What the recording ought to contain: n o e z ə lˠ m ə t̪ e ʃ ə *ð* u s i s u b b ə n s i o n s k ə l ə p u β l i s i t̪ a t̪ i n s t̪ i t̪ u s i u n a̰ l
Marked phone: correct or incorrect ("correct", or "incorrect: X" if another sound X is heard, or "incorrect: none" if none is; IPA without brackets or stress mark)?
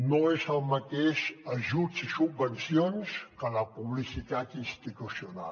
incorrect: ʒ